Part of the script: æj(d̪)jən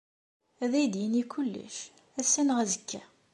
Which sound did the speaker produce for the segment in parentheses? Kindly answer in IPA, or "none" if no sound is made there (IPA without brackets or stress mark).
d̪